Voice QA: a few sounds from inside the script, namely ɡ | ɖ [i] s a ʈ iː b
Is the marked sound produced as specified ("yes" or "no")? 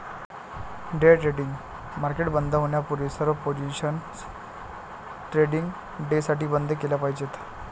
no